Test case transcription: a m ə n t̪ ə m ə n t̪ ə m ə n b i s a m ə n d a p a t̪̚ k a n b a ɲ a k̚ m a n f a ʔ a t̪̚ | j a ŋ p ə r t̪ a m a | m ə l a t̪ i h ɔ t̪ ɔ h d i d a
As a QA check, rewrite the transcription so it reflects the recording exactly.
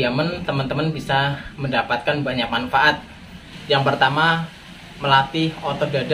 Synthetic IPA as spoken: a m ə n t̪ ə m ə n t̪ ə m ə n b i s a m ə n d a p a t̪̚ k a n b a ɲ a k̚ m a n f a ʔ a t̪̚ | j a ŋ p ə r t̪ a m a | m ə l a t̪ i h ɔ t̪ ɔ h d a d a